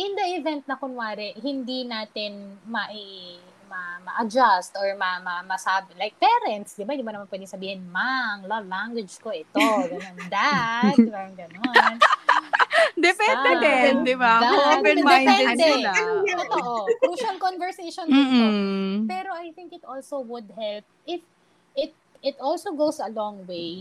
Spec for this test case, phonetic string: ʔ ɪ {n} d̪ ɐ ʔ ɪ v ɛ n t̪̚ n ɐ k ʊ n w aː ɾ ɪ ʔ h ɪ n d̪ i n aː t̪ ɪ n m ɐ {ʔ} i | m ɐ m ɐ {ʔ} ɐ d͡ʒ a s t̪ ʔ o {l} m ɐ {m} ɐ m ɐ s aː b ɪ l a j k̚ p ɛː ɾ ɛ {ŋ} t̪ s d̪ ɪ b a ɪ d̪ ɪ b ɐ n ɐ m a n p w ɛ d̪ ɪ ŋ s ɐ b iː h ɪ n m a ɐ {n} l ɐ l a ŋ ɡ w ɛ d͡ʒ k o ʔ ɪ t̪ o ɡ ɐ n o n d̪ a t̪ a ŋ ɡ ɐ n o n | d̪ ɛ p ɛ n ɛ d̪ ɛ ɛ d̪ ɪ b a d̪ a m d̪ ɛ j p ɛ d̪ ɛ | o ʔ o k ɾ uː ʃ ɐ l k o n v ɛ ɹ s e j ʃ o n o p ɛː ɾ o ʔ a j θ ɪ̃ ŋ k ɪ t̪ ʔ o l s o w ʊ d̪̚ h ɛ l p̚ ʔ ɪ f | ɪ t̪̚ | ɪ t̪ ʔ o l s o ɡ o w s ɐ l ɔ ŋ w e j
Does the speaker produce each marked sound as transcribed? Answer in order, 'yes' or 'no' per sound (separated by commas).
yes, yes, yes, no, yes, no, no